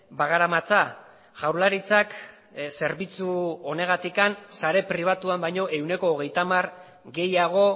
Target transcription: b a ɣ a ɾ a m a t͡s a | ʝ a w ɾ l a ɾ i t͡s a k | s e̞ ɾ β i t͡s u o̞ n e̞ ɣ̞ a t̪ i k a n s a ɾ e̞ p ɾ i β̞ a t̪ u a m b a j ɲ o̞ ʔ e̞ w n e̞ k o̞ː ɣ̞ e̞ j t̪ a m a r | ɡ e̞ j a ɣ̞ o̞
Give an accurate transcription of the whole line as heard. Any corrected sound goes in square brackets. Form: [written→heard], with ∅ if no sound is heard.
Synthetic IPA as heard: b a ɣ a ɾ a m a t͡s a | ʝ a w ɾ l a ɾ i t͡s a k | s e̞ ɾ β i t͡s u o̞ n e̞ ɣ̞ a t̪ i k a n s a ɾ e̞ p ɾ i β̞ a t̪ u a m b a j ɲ o̞ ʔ e̞ w n e̞ k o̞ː ɣ̞ e̞ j t̪ a m a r | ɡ e̞ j a ɣ̞ o̞